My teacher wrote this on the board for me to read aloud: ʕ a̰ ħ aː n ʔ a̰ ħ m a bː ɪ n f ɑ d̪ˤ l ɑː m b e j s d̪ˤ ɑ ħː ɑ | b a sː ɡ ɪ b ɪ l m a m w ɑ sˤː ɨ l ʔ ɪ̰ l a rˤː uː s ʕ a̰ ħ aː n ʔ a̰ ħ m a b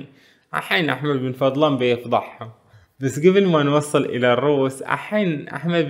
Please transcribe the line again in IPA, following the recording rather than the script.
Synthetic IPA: ʕ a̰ ħ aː n ʔ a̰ ħ m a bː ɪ n f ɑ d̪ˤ l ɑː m b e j f d̪ˤ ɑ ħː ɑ | b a sː ɡ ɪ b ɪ l m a n w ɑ sˤː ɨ l ʔ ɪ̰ l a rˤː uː s ʕ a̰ ħ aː n ʔ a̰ ħ m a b